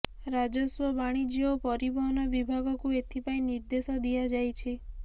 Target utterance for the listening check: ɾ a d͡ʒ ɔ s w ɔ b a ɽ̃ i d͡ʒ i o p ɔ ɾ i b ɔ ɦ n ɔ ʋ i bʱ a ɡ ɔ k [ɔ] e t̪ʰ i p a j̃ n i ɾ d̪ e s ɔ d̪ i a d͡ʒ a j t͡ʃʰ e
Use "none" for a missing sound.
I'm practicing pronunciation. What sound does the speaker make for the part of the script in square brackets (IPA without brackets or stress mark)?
u